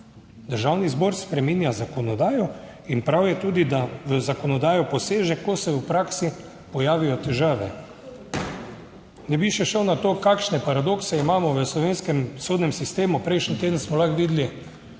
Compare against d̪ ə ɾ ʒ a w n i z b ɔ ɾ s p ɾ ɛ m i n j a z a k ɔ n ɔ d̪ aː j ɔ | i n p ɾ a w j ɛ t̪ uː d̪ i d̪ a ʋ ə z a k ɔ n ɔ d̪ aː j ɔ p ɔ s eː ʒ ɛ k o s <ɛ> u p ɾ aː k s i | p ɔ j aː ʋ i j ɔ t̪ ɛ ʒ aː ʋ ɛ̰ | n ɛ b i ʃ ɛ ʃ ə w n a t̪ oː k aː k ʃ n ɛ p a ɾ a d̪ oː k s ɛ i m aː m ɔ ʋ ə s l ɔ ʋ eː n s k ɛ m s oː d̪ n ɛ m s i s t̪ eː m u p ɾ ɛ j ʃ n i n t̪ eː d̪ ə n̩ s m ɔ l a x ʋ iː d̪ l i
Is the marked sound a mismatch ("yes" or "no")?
no